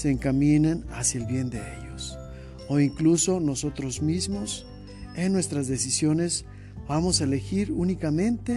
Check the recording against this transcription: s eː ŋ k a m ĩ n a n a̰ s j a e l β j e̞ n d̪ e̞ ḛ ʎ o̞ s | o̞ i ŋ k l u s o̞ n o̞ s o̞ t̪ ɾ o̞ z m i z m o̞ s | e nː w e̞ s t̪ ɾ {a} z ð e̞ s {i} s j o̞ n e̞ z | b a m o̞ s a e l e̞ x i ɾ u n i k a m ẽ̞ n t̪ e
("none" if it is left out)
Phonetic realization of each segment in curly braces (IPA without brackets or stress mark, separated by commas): a, i